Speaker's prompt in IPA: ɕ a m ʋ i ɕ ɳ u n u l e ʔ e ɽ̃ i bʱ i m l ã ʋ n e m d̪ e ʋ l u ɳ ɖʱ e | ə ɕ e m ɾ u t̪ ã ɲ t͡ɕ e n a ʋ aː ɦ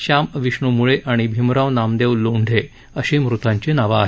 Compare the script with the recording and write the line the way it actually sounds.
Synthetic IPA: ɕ a m ʋ i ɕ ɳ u m u ɭ e ʔ a ɽ̃ i bʱ i m ɾ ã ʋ n a m d̪ e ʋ l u ɳ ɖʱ e | ə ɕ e m ɾ u t̪ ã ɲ t͡ɕ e n a ʋ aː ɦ